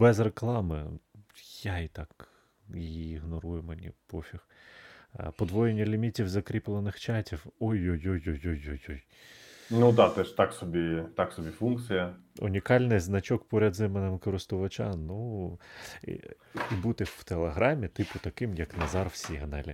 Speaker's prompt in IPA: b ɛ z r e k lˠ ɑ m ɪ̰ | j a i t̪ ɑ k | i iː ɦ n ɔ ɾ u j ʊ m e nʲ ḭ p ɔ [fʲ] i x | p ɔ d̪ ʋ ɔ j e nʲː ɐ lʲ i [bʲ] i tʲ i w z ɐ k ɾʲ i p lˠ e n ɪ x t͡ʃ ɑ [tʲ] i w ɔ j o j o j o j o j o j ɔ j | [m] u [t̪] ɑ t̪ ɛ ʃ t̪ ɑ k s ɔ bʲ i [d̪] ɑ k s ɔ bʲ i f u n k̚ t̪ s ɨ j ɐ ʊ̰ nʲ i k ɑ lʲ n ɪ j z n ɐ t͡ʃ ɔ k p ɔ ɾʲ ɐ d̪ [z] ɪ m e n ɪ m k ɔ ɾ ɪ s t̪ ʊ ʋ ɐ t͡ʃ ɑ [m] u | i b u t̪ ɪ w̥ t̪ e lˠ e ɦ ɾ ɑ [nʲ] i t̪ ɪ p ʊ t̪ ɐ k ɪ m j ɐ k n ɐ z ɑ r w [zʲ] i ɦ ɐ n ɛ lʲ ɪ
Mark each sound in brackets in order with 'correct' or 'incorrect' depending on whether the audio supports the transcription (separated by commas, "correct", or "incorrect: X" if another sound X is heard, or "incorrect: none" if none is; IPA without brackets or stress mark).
correct, incorrect: mʲ, correct, incorrect: n, incorrect: d̪, incorrect: t̪, correct, incorrect: n, incorrect: mʲ, incorrect: sʲ